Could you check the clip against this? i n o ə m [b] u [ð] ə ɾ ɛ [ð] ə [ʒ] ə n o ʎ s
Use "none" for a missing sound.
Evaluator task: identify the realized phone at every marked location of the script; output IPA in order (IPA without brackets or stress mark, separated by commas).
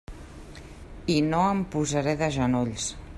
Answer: p, z, ð, ʒ